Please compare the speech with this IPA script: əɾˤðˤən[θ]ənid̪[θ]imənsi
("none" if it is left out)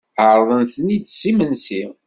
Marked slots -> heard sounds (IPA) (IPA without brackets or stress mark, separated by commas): θ, s